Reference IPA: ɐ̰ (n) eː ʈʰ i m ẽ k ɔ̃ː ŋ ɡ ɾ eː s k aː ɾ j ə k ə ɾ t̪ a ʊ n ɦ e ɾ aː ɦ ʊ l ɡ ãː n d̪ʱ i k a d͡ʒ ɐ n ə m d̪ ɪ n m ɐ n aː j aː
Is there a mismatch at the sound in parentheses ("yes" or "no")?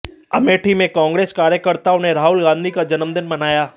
yes